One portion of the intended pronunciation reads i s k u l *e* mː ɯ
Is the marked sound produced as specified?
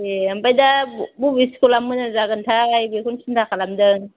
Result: no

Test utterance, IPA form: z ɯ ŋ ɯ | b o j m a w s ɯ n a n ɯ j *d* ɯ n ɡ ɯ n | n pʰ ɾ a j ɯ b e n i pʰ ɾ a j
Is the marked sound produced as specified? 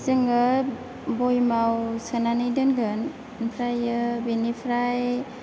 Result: yes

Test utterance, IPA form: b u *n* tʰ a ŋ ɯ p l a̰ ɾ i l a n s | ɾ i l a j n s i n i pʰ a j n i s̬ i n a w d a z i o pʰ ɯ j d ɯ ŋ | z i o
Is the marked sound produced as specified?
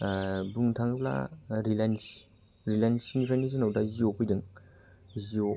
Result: no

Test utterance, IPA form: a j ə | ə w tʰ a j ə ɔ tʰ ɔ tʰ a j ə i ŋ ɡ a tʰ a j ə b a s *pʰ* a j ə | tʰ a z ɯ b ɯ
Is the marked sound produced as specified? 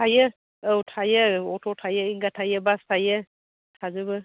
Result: no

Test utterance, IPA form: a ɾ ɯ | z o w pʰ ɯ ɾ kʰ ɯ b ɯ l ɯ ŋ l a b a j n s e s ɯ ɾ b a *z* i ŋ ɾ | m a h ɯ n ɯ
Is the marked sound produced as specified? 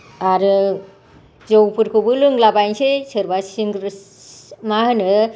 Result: no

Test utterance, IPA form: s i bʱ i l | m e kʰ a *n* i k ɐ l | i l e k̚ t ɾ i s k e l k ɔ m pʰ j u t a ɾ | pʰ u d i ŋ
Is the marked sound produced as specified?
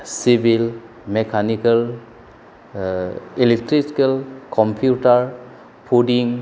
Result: yes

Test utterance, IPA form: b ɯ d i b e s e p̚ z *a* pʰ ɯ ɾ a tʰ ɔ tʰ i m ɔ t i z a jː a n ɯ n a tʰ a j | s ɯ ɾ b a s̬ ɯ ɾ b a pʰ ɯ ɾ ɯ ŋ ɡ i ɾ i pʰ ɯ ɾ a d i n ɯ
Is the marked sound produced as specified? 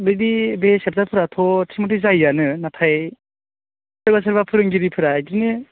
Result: yes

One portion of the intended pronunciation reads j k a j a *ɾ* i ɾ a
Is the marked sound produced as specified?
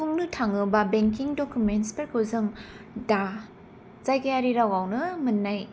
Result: yes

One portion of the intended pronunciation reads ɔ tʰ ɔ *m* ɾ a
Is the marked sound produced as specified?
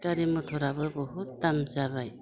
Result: no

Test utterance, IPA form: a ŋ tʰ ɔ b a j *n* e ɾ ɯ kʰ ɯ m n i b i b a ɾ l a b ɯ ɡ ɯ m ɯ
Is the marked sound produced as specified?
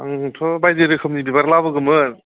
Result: no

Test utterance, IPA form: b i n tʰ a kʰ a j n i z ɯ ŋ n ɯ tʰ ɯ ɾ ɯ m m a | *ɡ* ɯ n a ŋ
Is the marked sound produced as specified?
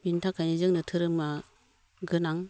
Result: yes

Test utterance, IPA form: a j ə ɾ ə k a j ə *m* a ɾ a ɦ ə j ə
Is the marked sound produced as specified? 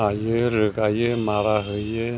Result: yes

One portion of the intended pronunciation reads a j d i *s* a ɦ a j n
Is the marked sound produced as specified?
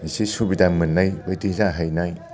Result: no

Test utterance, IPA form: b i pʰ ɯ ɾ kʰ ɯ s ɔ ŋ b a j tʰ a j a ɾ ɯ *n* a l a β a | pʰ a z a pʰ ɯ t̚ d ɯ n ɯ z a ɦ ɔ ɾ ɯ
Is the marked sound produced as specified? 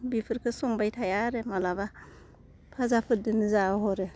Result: no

